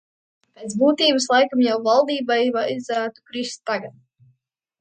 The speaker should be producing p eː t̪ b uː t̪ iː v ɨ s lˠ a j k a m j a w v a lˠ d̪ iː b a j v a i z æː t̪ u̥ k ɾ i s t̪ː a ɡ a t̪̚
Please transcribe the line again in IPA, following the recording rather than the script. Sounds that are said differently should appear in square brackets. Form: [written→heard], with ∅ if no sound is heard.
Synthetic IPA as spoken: p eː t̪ b uː t̪ iː [v→b] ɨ s lˠ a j k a m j a w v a lˠ d̪ iː b a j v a i z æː t̪ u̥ k ɾ i s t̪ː a ɡ a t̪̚